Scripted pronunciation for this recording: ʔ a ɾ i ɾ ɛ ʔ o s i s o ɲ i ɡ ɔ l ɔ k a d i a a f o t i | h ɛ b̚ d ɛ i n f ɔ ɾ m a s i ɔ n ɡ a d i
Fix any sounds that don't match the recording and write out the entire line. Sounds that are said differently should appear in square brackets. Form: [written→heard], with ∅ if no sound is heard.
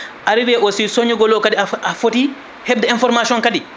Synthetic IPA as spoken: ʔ a ɾ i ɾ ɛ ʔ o s i s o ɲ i ɡ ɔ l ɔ k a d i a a f o t i | h ɛ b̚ d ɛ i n f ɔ ɾ m a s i ɔ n [ɡ→k] a d i